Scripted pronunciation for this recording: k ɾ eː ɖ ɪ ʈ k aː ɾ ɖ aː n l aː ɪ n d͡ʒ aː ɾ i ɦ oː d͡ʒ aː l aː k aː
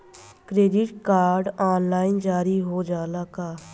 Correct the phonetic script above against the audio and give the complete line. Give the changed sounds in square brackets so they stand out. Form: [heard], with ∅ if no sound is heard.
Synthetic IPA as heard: k ɾ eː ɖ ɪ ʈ k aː ɾ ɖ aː n l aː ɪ n d͡ʒ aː ɾ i ɦ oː d͡ʒ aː l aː k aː